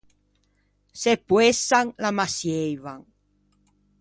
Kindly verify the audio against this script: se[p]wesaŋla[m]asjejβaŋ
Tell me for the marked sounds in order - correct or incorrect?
correct, correct

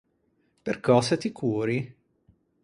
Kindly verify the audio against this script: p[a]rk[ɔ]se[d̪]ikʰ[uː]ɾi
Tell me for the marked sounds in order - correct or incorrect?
incorrect, incorrect, incorrect, correct

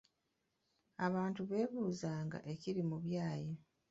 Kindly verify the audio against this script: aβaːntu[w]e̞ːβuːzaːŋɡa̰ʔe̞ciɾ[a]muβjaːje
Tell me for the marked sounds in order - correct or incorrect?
incorrect, incorrect

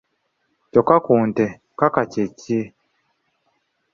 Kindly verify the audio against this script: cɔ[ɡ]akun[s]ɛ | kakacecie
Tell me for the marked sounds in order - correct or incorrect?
incorrect, incorrect

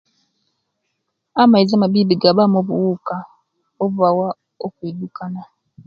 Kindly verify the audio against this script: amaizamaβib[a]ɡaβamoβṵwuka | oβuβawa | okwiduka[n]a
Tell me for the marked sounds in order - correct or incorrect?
incorrect, correct

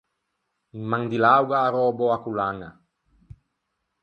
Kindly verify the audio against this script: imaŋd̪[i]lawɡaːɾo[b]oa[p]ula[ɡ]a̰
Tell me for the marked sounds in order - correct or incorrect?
correct, correct, incorrect, incorrect

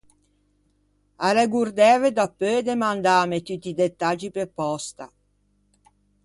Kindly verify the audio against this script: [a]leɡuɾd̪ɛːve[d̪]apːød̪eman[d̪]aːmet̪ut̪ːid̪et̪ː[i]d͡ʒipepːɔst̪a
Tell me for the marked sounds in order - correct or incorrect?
correct, correct, correct, incorrect

